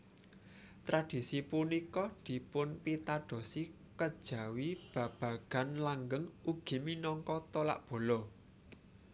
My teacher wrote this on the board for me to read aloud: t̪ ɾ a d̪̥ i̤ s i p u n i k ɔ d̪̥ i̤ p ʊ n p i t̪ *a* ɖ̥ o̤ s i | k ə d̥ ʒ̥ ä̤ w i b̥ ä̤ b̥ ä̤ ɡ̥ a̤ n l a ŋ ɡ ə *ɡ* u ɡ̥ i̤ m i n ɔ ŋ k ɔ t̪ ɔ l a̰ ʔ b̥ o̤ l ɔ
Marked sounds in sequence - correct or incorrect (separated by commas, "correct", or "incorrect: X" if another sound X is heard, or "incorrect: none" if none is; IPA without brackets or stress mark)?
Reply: correct, incorrect: ŋ